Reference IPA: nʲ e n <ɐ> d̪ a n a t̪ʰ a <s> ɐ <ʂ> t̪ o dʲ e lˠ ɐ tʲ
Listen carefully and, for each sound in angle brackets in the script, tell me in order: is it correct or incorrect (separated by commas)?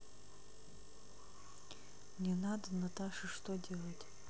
incorrect, incorrect, correct